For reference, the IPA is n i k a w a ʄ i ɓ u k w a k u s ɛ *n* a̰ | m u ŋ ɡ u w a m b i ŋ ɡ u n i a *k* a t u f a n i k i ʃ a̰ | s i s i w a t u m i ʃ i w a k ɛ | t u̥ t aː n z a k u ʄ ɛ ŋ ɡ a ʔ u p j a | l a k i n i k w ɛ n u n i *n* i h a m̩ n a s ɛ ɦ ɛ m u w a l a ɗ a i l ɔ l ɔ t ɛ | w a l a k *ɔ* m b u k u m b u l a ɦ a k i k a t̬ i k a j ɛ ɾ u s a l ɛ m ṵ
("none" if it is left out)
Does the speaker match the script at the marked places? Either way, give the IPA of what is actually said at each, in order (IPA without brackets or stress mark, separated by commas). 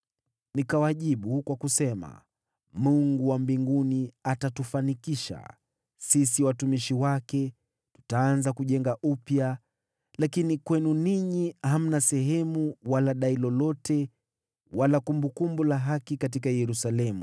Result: m, t, ɲ, u